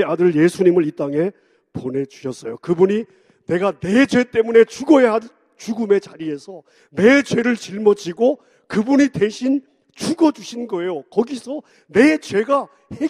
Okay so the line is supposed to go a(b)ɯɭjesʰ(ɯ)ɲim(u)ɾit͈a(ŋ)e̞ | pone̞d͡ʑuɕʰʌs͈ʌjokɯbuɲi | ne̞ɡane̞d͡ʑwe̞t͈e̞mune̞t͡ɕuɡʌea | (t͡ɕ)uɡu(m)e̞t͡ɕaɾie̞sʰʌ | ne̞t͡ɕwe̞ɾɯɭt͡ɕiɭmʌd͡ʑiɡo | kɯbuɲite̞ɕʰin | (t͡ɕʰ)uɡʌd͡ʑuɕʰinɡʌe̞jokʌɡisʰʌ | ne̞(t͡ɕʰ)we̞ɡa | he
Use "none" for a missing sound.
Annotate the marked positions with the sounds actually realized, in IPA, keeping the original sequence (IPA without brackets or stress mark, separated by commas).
d, u, ɯ, ŋ, t͡ɕ, m, t͡ɕ, t͡ɕ